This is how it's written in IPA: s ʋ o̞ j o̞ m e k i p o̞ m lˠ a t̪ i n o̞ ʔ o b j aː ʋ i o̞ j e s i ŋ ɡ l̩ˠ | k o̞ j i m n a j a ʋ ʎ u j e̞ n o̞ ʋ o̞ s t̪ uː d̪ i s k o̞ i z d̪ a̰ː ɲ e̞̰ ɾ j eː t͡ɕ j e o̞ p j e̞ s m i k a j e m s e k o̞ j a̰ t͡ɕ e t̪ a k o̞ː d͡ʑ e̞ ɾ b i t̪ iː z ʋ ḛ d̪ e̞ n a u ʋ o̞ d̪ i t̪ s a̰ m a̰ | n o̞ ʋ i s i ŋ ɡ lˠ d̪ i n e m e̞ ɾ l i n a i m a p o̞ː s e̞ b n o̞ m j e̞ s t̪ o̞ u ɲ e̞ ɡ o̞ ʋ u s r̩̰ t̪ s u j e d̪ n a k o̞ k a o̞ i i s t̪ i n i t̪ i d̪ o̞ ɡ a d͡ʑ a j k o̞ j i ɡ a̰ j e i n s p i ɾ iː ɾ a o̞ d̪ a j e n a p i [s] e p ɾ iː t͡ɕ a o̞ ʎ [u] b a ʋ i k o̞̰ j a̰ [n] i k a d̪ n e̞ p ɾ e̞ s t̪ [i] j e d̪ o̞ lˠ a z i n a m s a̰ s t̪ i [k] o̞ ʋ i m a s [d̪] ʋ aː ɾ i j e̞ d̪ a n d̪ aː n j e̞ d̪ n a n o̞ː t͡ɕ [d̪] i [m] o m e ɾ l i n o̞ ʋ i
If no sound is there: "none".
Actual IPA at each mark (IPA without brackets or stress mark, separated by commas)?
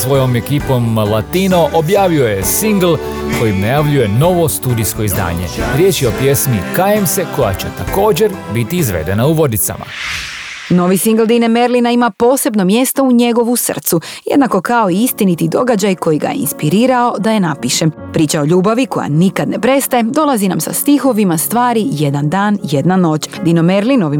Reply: ʃ, uː, n, a, x, t̪, d̪, n